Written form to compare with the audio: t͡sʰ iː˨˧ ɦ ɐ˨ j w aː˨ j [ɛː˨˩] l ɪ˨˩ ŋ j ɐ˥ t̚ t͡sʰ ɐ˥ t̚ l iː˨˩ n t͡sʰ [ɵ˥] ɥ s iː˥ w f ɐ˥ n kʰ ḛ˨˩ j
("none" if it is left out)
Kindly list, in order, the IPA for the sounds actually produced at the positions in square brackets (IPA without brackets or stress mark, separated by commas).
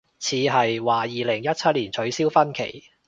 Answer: iː˨˩, ɵ˨˥